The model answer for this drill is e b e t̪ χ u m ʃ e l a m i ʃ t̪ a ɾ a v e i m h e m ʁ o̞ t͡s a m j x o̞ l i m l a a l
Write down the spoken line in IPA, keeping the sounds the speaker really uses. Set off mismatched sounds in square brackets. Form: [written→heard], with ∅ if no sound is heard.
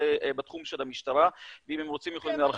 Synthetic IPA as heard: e b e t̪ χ u m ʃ e l a m i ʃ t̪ a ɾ a v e i m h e m ʁ o̞ t͡s [a→i] m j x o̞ l i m l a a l